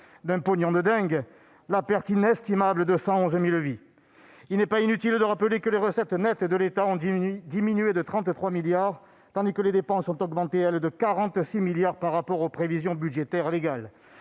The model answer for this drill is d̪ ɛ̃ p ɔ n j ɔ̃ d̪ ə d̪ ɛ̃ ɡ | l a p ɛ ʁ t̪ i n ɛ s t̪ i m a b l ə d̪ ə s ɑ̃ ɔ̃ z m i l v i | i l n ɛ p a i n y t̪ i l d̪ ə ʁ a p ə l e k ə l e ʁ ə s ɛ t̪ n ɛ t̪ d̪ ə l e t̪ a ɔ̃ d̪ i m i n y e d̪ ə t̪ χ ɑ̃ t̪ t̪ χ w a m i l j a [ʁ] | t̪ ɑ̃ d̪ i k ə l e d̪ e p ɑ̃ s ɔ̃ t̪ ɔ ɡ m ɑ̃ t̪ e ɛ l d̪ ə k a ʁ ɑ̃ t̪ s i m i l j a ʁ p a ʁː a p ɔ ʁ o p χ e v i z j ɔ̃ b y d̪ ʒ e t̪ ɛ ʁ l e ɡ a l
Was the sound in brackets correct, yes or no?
yes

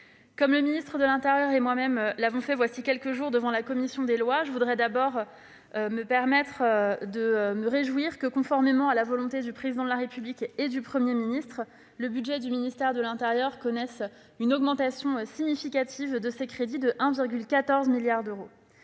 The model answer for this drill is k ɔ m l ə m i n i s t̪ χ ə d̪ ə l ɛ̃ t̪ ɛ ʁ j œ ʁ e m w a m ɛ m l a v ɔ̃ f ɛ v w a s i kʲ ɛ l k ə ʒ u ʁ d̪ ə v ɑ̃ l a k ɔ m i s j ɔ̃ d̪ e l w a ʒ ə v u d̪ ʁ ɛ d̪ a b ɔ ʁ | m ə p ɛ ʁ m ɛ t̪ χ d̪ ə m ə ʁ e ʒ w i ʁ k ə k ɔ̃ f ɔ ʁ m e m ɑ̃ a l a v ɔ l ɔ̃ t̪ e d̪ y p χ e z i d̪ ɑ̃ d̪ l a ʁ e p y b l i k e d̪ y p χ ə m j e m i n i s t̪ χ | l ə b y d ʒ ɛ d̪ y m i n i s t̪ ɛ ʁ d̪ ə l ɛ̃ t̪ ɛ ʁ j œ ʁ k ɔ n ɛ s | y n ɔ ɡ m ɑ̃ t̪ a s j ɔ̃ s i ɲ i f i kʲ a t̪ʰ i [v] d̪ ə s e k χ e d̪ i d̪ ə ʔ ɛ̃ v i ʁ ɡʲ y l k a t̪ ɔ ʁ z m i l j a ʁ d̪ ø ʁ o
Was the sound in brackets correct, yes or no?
yes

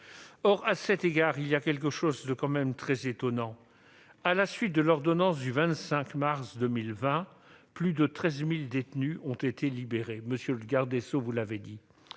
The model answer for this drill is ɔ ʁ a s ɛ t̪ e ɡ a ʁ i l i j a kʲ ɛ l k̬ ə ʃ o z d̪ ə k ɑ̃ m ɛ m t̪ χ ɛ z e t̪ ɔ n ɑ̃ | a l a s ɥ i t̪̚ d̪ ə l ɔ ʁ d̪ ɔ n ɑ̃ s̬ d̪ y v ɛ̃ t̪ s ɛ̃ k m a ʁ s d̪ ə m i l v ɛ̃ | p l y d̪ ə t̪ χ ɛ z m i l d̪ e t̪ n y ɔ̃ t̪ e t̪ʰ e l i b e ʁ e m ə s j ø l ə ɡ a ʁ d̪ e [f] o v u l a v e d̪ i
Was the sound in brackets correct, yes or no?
no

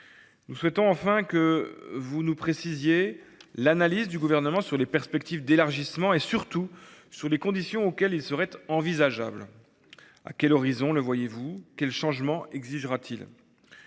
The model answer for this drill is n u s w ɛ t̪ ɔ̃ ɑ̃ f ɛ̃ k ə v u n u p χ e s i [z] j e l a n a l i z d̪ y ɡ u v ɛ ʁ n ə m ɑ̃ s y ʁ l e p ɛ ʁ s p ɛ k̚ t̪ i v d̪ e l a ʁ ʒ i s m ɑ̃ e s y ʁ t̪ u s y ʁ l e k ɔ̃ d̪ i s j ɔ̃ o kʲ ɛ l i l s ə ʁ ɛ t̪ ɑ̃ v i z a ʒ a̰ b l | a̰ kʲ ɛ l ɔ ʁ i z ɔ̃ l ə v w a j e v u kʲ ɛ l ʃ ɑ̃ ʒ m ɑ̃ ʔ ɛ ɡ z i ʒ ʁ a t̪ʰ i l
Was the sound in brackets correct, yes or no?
yes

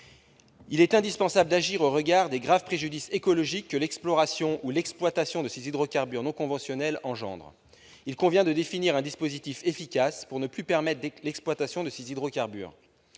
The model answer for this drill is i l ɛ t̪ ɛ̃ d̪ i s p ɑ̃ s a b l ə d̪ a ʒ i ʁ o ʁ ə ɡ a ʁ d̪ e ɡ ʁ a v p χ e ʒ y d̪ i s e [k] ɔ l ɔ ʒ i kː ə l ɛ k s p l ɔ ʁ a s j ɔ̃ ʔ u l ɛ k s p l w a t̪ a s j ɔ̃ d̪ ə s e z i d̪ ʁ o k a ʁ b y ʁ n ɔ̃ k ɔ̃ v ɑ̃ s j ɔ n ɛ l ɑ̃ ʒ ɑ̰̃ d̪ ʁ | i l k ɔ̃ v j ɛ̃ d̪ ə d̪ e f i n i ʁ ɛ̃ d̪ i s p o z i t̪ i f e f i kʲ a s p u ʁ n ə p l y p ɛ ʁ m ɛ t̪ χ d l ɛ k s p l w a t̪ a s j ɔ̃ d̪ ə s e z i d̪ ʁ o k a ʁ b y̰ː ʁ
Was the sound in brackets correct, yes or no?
yes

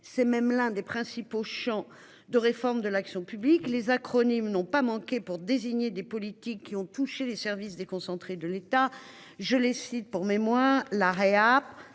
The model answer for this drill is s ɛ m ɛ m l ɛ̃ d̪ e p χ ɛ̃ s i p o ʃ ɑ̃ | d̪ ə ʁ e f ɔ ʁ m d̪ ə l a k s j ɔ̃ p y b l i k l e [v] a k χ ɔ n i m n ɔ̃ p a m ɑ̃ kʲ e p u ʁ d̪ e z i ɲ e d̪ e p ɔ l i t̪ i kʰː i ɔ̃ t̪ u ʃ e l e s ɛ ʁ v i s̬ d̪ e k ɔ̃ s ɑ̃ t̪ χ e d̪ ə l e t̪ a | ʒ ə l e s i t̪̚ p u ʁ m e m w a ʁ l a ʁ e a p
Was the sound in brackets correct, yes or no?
no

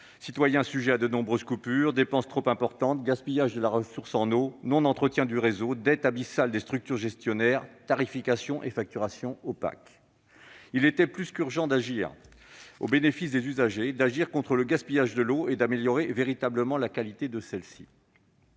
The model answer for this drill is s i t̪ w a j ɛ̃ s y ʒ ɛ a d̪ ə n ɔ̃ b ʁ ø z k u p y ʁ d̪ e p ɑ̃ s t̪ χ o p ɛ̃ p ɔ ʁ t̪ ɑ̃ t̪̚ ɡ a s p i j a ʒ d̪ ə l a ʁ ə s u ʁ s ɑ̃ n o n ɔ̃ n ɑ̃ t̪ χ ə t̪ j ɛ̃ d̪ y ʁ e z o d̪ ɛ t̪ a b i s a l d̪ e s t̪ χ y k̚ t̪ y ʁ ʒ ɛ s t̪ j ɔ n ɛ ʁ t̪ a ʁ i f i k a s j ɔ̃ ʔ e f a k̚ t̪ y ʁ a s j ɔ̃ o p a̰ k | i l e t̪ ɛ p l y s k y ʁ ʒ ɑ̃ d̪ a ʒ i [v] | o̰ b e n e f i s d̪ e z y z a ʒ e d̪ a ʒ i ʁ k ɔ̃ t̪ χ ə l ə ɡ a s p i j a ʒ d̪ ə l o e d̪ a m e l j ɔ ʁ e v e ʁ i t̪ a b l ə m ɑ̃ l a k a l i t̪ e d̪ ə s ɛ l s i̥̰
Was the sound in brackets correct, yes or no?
no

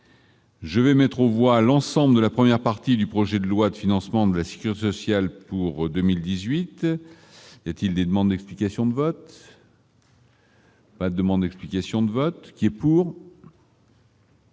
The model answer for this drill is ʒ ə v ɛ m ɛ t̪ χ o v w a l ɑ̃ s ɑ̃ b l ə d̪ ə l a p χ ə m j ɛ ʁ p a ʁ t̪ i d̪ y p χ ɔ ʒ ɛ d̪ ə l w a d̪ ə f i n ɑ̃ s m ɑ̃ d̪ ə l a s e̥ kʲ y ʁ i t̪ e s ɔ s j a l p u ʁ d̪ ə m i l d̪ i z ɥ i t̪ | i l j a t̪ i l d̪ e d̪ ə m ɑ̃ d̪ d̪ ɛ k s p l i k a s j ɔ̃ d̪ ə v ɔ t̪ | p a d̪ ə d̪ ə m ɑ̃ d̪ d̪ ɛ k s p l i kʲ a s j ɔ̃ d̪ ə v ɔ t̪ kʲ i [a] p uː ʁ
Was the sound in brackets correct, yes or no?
no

